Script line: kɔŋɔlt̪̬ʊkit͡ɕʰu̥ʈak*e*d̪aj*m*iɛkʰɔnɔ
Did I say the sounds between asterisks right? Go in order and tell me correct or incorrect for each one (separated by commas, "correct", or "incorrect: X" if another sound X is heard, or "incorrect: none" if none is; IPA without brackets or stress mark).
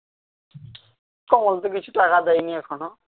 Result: incorrect: a, incorrect: n